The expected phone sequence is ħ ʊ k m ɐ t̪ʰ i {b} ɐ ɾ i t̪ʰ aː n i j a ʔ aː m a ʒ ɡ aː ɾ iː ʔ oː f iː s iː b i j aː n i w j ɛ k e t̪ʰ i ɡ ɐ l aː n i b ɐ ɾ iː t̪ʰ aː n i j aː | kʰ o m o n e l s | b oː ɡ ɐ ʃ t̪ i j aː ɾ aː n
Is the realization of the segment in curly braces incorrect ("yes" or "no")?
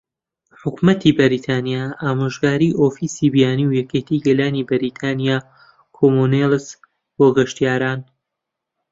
no